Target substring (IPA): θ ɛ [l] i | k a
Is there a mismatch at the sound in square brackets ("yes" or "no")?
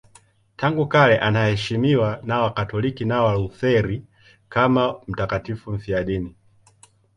yes